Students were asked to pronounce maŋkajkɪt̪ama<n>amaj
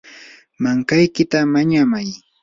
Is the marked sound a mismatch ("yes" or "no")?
yes